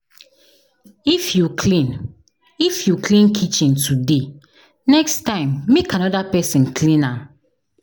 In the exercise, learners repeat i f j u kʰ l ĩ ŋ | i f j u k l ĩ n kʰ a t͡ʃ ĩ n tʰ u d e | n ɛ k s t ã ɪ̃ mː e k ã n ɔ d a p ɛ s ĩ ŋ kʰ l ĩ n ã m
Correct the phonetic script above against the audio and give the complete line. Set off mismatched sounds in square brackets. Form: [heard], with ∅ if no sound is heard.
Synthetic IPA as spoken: i f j u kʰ l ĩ [n] | i f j u k l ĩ n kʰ [i] t͡ʃ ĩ n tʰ u d e | n ɛ k s t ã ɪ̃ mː e k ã n ɔ d a p ɛ s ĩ [n] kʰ l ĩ n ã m